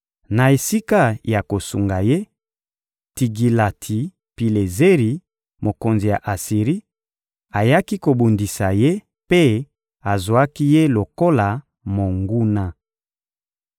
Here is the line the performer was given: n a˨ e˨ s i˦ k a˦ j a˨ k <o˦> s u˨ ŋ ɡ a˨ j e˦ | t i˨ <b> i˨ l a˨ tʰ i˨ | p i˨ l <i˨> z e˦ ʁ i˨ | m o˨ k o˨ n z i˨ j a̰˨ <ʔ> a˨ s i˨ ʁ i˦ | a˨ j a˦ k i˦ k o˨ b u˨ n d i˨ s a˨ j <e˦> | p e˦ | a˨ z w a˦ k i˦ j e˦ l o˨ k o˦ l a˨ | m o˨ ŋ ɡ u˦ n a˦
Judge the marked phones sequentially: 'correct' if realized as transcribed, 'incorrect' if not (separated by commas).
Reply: incorrect, incorrect, incorrect, correct, correct